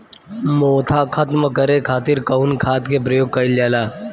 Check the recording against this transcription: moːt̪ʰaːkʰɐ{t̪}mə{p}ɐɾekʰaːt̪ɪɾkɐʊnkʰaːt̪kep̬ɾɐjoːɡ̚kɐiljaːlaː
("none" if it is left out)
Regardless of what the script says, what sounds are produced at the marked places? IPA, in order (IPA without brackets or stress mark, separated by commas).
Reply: t̪, k